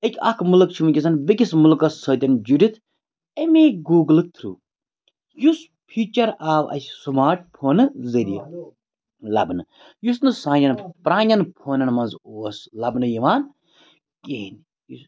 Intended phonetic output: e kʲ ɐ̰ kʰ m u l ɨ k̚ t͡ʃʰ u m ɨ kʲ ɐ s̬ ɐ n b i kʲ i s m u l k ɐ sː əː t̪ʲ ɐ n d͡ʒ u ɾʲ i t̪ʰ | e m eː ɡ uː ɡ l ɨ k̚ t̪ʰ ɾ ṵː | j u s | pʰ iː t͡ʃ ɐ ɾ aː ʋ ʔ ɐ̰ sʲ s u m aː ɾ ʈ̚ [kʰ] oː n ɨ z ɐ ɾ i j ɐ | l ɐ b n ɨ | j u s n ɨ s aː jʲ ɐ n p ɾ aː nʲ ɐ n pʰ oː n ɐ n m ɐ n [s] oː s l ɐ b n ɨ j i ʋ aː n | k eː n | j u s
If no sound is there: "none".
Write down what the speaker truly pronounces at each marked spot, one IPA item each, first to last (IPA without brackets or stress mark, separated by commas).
pʰ, z